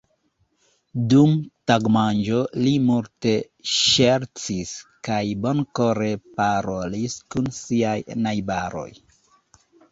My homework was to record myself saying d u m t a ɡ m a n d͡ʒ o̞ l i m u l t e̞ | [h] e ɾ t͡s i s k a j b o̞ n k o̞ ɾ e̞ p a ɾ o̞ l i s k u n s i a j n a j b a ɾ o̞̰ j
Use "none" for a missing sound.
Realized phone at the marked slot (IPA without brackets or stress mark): ʃ